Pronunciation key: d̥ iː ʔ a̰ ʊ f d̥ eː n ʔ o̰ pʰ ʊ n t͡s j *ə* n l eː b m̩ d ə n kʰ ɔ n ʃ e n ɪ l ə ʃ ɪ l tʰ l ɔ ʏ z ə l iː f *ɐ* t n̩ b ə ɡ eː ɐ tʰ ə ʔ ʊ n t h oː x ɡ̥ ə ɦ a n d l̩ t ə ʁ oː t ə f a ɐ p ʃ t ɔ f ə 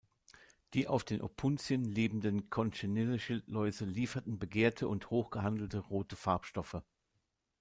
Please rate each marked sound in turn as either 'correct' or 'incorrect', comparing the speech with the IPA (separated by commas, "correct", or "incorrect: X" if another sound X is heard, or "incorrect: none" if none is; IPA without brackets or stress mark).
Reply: correct, correct